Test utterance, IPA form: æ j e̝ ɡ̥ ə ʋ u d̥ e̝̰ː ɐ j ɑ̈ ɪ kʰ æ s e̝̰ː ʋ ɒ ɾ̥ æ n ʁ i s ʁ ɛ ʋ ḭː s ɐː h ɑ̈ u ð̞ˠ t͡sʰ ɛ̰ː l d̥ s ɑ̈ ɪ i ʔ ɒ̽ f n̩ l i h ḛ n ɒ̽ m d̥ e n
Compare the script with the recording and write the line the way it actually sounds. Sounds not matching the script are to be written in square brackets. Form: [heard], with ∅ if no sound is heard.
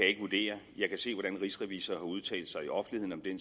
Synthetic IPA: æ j e̝ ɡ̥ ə ʋ u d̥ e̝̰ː ɐ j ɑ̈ ɪ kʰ æ s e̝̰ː ʋ ɒ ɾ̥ æ n ʁ i s ʁ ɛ ʋ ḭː s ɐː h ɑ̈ u ð̞ˠ t͡sʰ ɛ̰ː l d̥ s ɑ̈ ɪ i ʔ ɒ̽ f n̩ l i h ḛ n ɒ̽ m d̥ e n

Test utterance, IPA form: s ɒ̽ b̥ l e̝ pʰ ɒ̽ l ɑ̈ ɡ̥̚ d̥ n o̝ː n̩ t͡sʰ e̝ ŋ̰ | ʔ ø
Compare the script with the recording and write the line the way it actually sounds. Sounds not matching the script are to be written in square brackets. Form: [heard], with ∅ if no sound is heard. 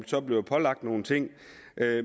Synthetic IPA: s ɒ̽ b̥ l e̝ pʰ ɒ̽ l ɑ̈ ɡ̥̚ d̥ n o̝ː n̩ t͡sʰ e̝ ŋ̰ | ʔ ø

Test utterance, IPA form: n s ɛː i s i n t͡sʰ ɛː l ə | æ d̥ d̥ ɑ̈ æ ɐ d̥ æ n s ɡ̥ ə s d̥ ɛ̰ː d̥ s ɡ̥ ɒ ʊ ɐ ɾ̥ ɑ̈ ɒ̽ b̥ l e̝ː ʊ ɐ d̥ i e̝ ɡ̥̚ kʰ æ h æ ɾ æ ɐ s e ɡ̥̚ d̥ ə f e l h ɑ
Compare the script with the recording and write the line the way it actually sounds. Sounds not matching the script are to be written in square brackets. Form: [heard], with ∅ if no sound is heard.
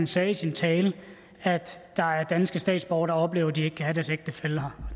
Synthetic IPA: n s ɛː i s i n t͡sʰ ɛː l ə | æ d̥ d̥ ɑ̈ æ ɐ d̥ æ n s ɡ̥ ə s d̥ ɛ̰ː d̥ s [b̥] ɒ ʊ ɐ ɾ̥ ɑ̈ ɒ̽ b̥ l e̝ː ʊ ɐ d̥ i e̝ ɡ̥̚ kʰ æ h æ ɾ æ ɐ s e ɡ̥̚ d̥ ə f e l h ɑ

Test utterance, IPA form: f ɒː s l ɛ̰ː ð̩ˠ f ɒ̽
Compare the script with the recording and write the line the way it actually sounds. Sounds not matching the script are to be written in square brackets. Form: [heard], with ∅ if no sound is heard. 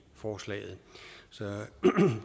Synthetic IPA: f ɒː s l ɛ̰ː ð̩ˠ [s] ɒ̽

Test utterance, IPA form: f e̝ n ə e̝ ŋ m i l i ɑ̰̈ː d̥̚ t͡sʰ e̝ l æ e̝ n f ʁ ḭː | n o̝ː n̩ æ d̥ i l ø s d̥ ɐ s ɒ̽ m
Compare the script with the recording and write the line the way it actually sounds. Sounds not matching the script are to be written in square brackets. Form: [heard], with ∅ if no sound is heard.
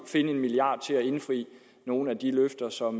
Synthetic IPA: f e̝ n ə e̝ [n] m i l i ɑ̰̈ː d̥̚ t͡sʰ e̝ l æ e̝ n f ʁ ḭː | n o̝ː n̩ æ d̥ i l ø [f] d̥ ɐ s ɒ̽ m

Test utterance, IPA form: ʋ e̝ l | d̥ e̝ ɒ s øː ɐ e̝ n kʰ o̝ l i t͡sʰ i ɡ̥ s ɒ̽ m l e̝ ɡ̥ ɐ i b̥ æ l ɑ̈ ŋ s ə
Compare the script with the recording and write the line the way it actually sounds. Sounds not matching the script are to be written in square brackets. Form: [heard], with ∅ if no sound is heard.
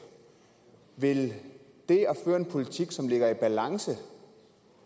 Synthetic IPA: ʋ e̝ l | d̥ e̝ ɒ [f] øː ɐ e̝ n [pʰ] o̝ l i t͡sʰ i ɡ̥ s ɒ̽ m l e̝ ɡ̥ ɐ i b̥ æ l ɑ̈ ŋ s ə

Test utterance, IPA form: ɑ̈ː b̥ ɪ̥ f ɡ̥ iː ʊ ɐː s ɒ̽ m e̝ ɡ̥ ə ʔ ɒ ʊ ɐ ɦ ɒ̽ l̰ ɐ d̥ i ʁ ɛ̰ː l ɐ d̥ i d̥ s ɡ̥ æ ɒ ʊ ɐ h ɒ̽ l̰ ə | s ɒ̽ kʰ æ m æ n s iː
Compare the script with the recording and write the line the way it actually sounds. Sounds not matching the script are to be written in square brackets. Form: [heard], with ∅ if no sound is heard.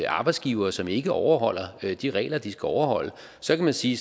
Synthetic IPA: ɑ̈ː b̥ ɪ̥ [s] ɡ̥ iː ʊ ɐː s ɒ̽ m e̝ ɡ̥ ə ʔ ɒ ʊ ɐ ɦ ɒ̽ l̰ ɐ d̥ i ʁ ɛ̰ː l ɐ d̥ i [∅] s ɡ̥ æ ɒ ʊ ɐ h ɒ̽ l̰ ə | s ɒ̽ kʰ æ m æ n s iː

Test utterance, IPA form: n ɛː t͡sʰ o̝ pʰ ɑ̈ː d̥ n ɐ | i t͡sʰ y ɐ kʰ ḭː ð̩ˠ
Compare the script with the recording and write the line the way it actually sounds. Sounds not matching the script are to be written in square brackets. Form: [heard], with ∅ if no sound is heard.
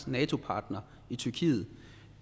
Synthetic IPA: n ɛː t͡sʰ o̝ pʰ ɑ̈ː d̥ n ɐ | i t͡sʰ y ɐ kʰ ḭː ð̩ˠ

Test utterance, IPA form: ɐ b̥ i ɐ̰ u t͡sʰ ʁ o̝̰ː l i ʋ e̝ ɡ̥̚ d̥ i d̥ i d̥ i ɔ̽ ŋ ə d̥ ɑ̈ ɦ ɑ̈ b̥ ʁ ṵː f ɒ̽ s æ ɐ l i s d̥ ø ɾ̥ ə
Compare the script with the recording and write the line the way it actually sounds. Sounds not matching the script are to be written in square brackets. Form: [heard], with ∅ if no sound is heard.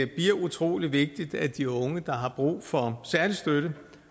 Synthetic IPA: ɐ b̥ i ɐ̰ u t͡sʰ ʁ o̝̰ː l i ʋ e̝ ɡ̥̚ d̥ i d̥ [æ] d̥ i ɔ̽ ŋ ə d̥ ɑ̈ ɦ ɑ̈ b̥ ʁ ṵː f ɒ̽ s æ ɐ l i s d̥ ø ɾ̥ ə

